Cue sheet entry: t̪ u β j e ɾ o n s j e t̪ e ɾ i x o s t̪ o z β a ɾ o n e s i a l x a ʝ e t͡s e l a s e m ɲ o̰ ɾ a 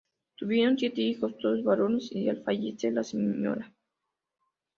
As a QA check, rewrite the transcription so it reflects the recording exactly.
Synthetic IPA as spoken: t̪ u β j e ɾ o n s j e t̪ e i x o s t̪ o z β a ɾ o n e s i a l f a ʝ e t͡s e l a s e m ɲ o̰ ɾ a